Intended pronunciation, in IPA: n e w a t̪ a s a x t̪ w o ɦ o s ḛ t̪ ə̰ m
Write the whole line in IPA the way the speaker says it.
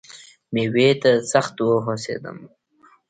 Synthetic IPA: m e w e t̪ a s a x t̪ w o ɦ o s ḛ d̪ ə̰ m